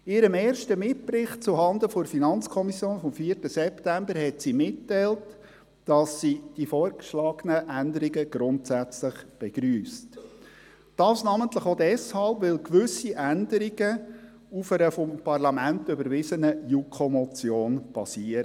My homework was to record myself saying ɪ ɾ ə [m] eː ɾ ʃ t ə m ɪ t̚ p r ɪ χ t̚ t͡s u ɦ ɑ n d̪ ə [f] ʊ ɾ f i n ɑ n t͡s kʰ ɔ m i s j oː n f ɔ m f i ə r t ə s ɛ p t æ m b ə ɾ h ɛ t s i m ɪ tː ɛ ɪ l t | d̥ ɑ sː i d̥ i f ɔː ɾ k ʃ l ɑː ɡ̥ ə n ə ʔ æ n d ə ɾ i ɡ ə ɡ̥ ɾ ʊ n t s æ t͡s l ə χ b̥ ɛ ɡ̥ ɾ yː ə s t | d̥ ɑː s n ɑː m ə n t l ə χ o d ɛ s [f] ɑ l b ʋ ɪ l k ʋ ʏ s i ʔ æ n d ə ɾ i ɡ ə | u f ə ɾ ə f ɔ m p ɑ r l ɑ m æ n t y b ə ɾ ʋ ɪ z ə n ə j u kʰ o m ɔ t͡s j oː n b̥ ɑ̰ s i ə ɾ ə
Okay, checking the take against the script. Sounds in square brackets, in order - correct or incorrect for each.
correct, correct, incorrect

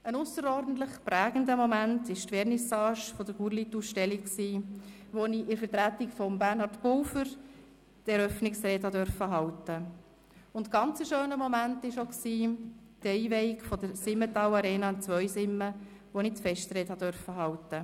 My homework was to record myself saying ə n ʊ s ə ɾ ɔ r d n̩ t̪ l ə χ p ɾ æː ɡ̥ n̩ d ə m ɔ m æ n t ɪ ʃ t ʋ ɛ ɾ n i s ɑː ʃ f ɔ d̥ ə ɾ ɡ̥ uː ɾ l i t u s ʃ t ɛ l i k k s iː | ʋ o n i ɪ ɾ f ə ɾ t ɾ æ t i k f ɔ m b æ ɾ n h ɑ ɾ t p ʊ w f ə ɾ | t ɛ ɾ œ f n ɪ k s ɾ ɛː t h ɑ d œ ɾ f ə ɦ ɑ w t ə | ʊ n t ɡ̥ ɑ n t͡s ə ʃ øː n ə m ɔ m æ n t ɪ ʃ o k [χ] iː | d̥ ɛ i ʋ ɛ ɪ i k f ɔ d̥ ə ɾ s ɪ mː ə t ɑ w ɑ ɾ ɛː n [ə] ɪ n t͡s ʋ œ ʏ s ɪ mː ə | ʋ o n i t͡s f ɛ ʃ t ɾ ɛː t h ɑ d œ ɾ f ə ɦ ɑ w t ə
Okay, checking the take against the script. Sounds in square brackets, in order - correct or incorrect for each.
incorrect, incorrect

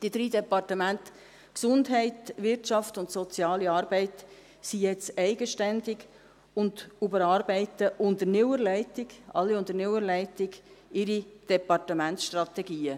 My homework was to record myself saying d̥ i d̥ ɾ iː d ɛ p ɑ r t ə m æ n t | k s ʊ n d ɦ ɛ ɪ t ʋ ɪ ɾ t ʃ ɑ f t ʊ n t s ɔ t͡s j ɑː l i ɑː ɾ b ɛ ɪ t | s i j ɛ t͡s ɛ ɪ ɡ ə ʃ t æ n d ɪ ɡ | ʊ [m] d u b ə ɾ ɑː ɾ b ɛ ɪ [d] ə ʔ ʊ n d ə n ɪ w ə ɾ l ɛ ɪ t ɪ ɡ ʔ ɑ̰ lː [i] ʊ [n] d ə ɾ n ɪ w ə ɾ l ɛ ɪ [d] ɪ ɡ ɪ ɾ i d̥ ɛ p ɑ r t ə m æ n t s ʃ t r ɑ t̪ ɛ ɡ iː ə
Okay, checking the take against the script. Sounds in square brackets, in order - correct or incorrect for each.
incorrect, incorrect, correct, correct, incorrect

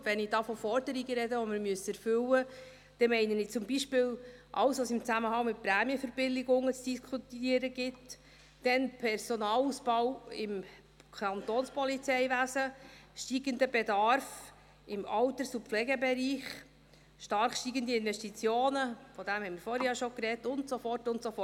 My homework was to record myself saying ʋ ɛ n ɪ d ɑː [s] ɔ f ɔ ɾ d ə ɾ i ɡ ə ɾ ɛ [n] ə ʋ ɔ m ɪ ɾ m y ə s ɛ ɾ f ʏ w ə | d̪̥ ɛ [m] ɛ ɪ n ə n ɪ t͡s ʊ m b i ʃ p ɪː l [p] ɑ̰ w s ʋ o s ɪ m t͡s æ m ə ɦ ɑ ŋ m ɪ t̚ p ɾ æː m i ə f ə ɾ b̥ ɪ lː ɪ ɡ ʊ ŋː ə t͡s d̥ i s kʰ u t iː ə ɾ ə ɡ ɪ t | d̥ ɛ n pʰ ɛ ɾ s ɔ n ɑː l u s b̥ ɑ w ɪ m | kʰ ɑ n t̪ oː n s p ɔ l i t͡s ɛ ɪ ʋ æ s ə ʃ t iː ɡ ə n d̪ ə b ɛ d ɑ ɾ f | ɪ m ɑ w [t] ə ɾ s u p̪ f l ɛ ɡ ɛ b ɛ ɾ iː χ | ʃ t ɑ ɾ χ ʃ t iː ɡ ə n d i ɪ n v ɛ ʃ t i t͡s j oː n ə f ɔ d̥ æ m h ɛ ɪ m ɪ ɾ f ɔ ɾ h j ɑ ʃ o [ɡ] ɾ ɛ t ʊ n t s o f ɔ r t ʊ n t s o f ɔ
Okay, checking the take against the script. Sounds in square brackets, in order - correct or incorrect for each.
incorrect, incorrect, correct, incorrect, correct, incorrect

